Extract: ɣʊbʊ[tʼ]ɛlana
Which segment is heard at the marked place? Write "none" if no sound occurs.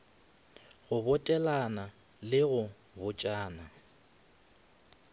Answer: tʼ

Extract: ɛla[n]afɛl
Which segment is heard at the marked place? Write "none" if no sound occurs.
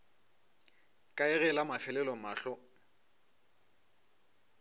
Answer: m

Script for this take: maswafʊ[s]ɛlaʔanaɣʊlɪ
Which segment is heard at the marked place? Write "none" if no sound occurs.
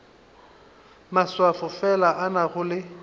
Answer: f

